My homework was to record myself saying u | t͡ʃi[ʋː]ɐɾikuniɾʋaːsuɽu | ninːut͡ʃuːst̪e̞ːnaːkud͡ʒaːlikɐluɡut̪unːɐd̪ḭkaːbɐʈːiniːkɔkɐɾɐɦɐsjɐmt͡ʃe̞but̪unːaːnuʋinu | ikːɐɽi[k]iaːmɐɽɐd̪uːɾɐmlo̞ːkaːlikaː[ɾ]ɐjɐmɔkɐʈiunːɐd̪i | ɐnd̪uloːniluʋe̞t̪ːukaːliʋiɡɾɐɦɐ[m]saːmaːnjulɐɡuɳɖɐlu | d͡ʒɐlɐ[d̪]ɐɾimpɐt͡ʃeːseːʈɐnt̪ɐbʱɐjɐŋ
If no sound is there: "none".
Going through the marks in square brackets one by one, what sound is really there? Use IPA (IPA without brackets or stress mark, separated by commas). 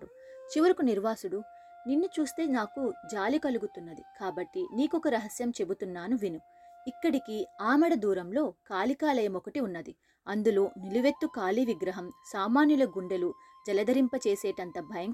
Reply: ʋ, k, l, m, d̪